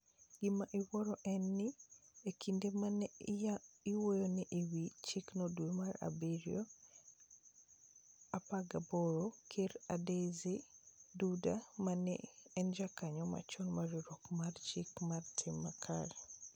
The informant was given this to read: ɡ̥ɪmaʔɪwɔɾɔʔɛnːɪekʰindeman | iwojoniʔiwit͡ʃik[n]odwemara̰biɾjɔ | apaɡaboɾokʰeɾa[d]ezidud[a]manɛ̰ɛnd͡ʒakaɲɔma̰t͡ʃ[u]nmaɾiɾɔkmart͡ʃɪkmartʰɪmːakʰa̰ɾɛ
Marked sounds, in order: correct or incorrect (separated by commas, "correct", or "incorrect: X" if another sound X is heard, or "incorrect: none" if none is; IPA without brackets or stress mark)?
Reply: correct, correct, correct, incorrect: ɔ